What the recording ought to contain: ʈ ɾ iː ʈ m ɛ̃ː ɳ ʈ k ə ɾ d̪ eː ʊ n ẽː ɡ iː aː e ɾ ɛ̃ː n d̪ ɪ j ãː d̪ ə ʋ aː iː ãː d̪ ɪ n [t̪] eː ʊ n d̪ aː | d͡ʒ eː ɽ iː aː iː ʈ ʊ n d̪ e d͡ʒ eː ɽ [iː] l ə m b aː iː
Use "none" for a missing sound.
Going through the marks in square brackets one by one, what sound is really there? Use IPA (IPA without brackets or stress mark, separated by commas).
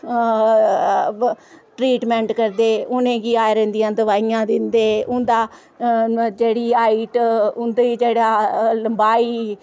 d̪, aː